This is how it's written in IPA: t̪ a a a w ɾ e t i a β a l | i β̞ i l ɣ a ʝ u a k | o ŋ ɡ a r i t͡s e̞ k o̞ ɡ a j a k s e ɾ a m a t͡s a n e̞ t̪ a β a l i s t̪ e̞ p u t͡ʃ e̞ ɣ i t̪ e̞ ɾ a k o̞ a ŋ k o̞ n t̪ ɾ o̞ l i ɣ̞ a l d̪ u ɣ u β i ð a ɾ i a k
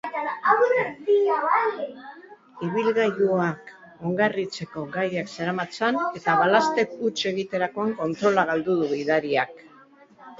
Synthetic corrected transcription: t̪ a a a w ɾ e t i a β a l | i β̞ i l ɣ a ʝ u a k | o ŋ ɡ a r i t͡s e̞ k o̞ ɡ a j a k s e ɾ a m a t͡s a n e̞ t̪ a β a l a s t̪ e̞ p u t͡ʃ e̞ ɣ i t̪ e̞ ɾ a k o̞ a ŋ k o̞ n t̪ ɾ o̞ l a ɣ̞ a l d̪ u ð u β i ð a ɾ i a k